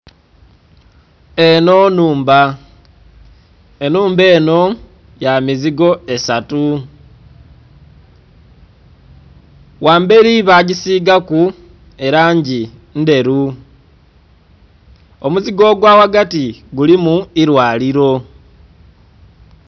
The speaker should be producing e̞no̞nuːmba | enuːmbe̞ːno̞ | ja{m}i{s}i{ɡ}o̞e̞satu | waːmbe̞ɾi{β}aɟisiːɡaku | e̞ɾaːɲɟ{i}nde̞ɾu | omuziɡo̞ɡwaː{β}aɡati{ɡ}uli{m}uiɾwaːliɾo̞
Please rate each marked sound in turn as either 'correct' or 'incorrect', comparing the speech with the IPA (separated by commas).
correct, incorrect, correct, correct, correct, incorrect, correct, correct